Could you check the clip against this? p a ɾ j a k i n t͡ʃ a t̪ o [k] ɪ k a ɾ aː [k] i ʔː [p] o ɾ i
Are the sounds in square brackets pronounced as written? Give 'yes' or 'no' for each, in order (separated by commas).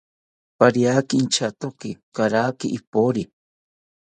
yes, yes, yes